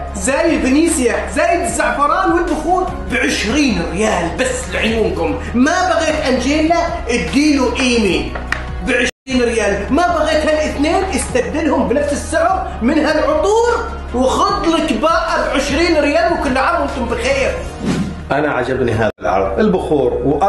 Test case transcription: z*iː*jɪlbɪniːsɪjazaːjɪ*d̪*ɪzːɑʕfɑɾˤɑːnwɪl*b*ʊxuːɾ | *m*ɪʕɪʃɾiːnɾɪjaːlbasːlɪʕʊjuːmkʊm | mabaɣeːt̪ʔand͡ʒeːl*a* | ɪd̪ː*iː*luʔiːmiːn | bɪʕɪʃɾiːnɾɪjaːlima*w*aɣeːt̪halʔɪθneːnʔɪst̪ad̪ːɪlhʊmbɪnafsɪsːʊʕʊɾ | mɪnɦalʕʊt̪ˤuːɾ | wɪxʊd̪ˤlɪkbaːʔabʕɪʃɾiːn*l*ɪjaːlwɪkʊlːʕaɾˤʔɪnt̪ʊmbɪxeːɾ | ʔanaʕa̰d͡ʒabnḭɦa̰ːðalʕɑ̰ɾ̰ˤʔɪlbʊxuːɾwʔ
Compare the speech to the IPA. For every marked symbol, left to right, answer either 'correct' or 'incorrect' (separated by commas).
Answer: incorrect, correct, correct, incorrect, correct, correct, incorrect, incorrect